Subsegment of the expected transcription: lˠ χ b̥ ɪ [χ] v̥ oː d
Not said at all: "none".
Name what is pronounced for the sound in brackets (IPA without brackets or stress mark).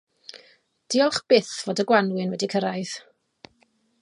θ